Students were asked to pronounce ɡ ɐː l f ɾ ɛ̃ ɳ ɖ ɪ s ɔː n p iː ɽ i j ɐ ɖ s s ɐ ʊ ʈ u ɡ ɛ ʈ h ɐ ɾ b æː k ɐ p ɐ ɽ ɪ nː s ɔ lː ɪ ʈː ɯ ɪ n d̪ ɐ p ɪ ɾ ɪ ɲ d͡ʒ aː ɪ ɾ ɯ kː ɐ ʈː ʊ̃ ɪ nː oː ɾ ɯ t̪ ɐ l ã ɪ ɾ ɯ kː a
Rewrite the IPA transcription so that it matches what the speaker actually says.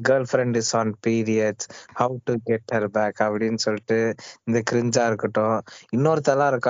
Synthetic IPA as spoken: ɡ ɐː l f ɾ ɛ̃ ɳ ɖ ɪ s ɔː n p iː ɾ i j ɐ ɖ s h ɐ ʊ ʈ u ɡ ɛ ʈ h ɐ ɾ b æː k ɐ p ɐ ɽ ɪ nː s ɔ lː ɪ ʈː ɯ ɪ n d̪ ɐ k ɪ ɾ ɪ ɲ d͡ʒ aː ɪ ɾ ɯ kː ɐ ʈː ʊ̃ ɪ nː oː ɾ ɯ t̪ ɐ l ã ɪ ɾ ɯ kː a